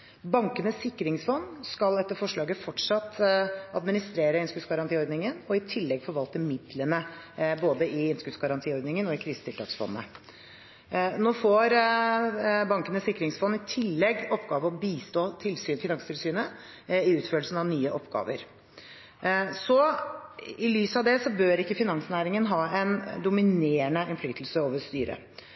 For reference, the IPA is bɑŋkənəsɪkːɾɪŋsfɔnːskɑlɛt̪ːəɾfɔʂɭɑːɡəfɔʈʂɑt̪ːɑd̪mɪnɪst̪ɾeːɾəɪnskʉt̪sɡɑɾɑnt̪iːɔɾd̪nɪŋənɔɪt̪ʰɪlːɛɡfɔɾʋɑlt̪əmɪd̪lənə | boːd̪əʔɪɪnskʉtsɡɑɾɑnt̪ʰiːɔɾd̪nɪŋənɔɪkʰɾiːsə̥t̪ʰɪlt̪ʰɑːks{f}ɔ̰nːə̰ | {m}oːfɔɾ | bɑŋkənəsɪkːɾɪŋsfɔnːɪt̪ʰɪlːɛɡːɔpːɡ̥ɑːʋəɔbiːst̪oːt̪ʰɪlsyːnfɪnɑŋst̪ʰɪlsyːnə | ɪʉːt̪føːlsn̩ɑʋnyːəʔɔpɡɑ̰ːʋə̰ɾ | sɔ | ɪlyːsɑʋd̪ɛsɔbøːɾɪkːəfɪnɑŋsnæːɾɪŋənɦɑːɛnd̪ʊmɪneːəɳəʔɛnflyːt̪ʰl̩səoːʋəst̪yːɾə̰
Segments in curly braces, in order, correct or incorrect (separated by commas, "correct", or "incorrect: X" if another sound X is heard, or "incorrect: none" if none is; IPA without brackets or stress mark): correct, incorrect: n